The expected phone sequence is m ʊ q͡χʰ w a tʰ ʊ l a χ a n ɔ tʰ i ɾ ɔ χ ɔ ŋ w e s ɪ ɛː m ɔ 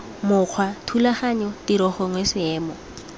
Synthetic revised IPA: m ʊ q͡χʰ w a tʰ u l a χ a ɲ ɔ t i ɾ ɔ χ ɔ ŋ w e s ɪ ɛː m ɔ